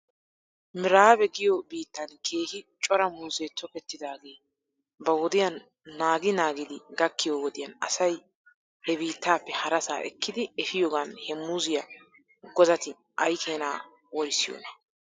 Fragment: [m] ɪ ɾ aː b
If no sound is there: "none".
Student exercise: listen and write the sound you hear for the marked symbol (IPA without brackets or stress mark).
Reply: m